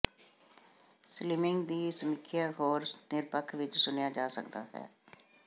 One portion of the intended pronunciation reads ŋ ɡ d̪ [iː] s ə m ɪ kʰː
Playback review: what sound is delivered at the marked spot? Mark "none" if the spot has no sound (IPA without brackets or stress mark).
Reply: iː